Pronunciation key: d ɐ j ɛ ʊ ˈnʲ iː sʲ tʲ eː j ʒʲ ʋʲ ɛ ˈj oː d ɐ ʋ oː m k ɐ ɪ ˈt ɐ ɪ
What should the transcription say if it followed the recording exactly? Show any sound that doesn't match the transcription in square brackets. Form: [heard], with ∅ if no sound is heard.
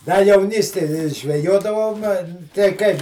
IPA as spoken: d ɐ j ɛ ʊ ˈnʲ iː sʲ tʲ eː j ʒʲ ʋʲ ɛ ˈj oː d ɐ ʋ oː m [t] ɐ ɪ [ˈk] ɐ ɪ